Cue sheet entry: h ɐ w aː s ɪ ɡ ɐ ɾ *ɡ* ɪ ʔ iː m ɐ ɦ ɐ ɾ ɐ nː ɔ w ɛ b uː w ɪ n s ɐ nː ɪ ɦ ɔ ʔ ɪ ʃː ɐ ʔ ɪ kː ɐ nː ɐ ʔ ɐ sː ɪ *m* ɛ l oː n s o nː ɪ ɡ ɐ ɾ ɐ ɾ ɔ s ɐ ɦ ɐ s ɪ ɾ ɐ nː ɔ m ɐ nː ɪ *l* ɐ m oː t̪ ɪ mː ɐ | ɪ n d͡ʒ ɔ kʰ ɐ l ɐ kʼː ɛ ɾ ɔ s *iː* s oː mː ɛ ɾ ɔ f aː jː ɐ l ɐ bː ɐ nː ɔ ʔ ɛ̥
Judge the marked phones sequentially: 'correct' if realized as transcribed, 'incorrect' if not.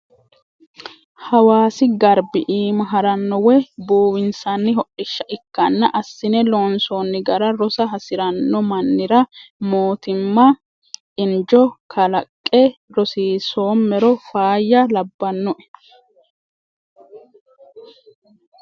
incorrect, incorrect, incorrect, correct

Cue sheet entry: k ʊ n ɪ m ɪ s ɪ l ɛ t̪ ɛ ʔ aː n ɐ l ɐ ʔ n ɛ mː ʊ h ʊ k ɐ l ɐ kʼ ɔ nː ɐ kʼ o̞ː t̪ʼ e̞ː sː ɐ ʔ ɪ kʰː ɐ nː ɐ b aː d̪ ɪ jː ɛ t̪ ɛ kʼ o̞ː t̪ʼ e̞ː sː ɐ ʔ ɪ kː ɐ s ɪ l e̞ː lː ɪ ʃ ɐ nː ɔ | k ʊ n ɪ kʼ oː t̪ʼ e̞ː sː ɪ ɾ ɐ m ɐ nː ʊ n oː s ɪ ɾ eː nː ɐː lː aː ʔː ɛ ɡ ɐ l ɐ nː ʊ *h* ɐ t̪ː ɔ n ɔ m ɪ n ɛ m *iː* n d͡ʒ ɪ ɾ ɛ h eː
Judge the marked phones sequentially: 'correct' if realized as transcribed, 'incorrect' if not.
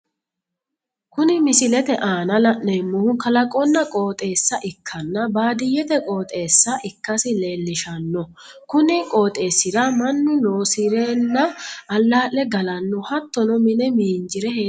correct, correct

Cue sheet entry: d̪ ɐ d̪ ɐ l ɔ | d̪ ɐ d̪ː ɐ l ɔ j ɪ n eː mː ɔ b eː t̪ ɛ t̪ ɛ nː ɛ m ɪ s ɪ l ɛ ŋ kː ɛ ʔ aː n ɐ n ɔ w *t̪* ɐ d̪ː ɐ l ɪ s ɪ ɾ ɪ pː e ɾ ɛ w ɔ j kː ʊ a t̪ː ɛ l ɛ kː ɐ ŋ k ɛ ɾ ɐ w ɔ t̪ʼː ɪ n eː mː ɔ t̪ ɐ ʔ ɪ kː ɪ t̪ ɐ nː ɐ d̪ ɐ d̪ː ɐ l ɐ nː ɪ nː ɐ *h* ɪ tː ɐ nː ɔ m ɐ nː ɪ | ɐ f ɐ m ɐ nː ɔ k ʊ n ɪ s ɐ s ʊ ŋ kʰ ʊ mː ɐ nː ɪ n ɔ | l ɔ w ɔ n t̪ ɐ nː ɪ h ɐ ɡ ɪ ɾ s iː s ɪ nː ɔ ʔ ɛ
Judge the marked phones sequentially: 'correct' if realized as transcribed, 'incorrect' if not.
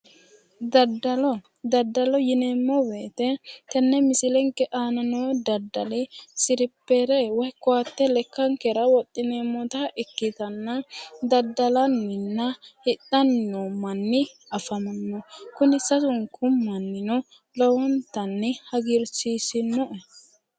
incorrect, correct

